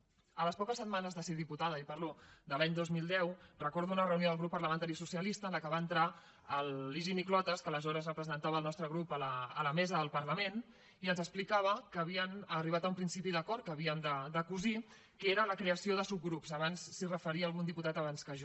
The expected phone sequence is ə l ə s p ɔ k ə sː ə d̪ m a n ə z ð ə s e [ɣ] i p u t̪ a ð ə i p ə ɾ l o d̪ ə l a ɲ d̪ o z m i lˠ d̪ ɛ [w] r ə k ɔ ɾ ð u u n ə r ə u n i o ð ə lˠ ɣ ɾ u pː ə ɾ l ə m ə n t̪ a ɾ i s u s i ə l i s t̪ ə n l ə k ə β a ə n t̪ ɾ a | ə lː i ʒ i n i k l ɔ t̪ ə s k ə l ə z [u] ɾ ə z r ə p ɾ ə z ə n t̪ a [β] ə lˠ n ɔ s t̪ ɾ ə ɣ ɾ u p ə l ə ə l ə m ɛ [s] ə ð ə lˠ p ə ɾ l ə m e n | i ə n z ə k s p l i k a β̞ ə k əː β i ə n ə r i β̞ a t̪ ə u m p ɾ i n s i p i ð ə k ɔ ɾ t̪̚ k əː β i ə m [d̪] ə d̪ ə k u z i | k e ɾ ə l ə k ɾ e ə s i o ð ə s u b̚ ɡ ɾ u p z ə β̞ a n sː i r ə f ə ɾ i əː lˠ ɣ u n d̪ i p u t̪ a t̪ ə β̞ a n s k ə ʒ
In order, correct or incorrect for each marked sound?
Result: incorrect, correct, incorrect, correct, incorrect, correct

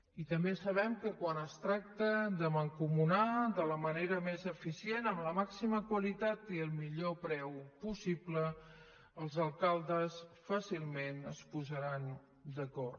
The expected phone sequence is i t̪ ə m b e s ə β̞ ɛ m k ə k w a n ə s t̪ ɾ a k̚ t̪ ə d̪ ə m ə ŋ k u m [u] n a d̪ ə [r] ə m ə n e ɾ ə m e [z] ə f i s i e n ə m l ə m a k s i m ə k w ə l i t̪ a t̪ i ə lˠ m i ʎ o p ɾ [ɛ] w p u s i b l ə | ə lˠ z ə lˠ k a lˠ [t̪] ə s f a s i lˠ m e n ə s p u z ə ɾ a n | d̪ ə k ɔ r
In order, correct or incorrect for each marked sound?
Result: correct, incorrect, correct, correct, incorrect

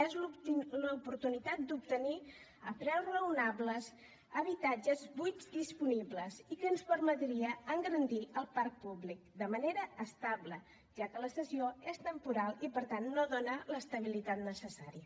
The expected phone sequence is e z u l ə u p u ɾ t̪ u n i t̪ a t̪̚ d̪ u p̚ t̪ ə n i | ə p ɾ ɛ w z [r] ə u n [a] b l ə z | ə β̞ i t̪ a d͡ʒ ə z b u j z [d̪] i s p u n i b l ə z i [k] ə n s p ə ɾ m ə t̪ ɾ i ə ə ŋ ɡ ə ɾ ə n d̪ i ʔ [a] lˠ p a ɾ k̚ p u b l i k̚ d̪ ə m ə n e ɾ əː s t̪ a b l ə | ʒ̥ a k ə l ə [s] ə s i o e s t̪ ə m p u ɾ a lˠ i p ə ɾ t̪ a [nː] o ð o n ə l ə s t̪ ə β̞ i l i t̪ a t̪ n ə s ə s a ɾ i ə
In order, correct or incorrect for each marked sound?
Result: correct, correct, correct, correct, incorrect, correct, correct

